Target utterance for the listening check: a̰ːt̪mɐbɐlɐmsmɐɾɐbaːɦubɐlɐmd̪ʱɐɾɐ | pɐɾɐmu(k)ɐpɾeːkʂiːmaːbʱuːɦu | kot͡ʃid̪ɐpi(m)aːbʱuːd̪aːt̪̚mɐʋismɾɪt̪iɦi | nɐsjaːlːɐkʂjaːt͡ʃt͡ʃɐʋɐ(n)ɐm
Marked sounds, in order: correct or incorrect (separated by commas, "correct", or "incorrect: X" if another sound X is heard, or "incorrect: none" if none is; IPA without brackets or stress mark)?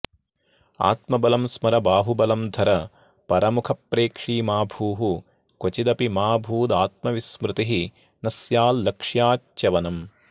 incorrect: kʰ, correct, correct